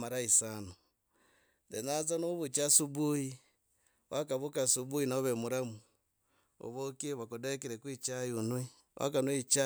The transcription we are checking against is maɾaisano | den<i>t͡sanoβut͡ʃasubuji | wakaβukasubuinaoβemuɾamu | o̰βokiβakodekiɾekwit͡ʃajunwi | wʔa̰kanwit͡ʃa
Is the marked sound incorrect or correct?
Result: incorrect